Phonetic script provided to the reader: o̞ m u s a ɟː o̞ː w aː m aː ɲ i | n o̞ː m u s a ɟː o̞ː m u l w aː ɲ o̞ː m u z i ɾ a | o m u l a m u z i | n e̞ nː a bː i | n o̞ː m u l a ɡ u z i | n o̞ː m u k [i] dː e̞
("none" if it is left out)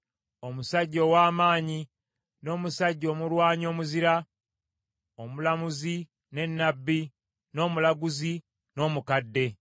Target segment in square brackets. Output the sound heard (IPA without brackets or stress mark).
a